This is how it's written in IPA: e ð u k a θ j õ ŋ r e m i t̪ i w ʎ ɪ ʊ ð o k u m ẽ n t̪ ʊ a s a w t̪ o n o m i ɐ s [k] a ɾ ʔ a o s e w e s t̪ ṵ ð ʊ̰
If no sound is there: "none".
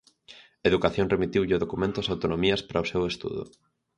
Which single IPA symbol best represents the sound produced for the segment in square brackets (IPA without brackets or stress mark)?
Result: p